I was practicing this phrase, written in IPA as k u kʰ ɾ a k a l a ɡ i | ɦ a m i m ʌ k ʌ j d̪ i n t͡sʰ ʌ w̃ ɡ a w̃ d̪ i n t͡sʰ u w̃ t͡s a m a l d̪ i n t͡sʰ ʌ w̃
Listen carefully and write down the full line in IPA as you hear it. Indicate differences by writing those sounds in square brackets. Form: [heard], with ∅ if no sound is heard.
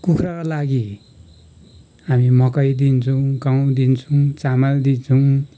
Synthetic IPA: k u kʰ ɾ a k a l a ɡ i | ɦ a m i m ʌ k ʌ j d̪ i n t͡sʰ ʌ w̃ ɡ a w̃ d̪ i n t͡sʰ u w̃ t͡s a m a l d̪ i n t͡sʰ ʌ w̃